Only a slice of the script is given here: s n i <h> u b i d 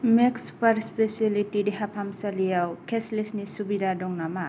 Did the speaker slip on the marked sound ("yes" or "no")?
yes